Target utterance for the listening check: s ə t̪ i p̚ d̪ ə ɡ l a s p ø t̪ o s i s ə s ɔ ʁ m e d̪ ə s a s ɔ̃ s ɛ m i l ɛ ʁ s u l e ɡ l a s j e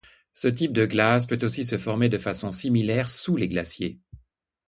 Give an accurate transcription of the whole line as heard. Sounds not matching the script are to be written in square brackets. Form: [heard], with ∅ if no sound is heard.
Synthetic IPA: s ə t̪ i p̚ d̪ ə ɡ l a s p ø t̪ o s i s ə [f] ɔ ʁ m e d̪ ə [f] a s ɔ̃ s [i] m i l ɛ ʁ s u l e ɡ l a s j e